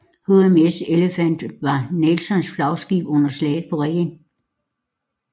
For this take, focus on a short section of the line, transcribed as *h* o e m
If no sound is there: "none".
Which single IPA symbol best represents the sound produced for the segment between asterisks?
h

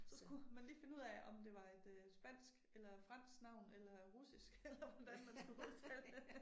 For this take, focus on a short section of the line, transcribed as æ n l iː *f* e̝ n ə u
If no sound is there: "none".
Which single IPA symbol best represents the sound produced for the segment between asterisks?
f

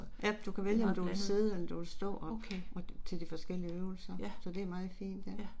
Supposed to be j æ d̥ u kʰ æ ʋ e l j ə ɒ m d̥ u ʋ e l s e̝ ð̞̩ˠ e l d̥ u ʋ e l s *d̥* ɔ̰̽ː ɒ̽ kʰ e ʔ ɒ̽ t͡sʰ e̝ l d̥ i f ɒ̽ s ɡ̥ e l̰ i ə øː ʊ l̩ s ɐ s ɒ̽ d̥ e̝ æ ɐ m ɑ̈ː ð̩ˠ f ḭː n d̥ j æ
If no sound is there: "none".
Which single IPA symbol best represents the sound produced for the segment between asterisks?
d̥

